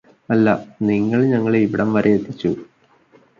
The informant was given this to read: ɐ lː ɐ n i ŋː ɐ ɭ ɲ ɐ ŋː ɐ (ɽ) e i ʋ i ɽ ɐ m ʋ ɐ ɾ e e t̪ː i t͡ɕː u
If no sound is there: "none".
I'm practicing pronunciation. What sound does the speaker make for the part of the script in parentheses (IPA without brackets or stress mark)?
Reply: ɭ